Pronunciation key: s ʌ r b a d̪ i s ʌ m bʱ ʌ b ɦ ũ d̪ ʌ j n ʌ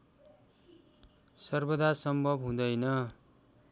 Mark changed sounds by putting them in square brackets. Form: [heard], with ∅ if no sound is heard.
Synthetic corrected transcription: s ʌ r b [ʌ] d̪ [a] s ʌ m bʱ ʌ b ɦ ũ d̪ ʌ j n ʌ